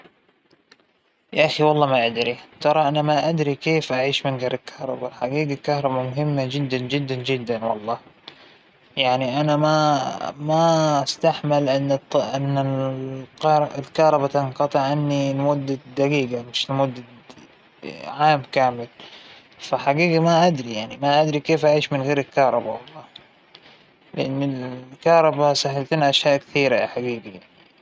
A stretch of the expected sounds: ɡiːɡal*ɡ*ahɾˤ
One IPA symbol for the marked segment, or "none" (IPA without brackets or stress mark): k